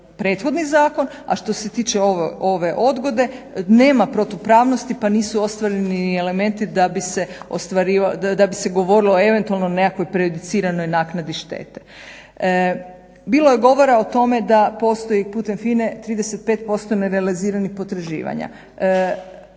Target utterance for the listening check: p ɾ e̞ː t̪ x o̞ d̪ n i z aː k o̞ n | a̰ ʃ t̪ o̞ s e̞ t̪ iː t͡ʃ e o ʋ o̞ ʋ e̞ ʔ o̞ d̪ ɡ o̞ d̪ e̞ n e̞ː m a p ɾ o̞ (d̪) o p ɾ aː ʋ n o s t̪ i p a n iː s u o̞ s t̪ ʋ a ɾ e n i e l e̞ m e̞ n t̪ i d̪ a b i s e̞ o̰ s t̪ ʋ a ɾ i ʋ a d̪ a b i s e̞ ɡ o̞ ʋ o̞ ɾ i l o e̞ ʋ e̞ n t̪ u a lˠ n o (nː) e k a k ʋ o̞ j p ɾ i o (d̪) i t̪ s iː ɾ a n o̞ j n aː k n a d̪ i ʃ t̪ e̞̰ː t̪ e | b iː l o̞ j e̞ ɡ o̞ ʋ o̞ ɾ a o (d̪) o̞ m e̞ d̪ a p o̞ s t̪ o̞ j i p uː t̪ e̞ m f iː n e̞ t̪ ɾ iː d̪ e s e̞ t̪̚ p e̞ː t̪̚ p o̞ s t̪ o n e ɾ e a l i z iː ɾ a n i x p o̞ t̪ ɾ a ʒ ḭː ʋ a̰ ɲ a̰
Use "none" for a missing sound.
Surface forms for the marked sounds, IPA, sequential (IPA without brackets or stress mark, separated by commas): t̪, n, d̪, t̪